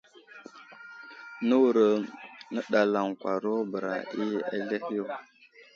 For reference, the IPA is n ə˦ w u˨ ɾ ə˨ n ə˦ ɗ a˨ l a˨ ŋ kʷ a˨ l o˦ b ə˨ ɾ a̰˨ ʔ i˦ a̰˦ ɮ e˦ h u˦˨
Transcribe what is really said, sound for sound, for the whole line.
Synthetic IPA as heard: n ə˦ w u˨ ɾ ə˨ n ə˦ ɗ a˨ l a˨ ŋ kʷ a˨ ɾ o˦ b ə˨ ɾ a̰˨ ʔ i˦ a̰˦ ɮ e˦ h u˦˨